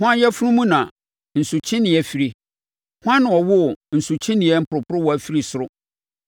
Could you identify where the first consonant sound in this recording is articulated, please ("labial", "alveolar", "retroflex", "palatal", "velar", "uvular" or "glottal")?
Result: glottal